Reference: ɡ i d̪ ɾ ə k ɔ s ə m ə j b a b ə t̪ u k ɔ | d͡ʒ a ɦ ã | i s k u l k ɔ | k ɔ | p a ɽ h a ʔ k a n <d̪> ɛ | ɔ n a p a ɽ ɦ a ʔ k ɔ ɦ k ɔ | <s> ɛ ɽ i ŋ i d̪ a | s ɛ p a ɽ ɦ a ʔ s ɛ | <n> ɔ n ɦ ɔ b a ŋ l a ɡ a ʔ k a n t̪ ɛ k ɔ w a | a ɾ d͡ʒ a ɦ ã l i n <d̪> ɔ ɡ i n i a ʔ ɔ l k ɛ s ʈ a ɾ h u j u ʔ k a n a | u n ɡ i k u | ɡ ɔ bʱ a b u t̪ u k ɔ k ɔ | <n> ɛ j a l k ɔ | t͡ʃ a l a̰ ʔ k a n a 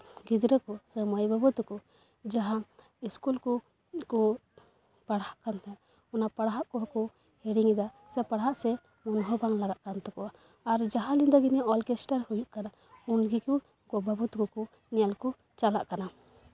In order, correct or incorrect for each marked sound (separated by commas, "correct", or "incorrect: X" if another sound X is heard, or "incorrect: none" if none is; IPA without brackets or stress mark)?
incorrect: t̪, incorrect: h, incorrect: m, correct, correct